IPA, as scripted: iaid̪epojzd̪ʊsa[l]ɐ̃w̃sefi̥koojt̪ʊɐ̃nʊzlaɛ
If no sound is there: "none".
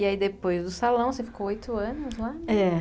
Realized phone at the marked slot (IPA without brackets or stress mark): l